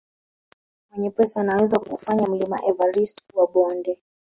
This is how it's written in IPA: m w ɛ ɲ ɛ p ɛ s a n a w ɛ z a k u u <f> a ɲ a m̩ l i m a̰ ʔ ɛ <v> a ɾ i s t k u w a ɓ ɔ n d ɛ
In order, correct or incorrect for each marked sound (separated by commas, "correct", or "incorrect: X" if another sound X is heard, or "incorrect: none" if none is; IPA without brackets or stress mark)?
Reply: correct, correct